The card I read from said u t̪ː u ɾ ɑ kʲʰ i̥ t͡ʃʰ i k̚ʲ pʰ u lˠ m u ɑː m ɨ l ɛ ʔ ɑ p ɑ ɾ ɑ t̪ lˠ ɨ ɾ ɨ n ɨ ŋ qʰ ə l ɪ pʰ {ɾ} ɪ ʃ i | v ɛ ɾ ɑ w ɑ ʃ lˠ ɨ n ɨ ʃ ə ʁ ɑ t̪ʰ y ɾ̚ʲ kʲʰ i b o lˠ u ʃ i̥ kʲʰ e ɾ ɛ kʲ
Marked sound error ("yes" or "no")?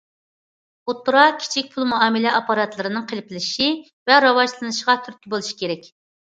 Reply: yes